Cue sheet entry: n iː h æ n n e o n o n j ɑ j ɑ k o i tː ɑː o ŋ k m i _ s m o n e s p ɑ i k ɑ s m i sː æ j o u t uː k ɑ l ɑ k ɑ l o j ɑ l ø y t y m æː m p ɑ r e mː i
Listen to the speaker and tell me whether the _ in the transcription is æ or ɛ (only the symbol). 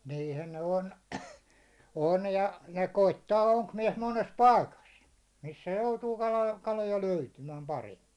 ɛ